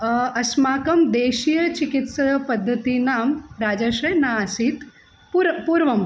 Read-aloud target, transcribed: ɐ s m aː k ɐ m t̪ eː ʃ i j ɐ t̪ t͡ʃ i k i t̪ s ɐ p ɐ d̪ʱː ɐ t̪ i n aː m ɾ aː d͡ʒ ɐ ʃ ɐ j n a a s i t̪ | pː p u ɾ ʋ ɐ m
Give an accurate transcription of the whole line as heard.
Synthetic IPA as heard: ɐ s m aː k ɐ m d̪ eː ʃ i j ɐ t͡ʃ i k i t̪ s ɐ p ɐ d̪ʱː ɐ t̪ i n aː m ɾ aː d͡ʒ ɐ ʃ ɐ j n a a s i t̪ | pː p u ɾ ʋ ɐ m